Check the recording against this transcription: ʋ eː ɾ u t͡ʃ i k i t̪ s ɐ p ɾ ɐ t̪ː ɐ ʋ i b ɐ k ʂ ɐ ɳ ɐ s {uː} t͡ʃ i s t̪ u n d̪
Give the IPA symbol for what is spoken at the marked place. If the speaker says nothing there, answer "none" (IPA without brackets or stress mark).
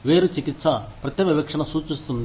uː